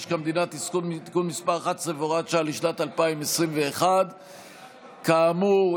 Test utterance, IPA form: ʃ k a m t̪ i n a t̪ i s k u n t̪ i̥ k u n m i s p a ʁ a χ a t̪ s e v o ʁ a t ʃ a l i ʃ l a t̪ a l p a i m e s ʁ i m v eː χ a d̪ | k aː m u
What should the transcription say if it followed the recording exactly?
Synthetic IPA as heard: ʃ k a m d̪ i n a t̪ i s k u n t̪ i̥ k u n m i s p a ʁ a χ a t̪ s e v o ʁ a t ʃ a l i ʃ l a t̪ a l p a i m e s ʁ i m v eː χ a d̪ | k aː m u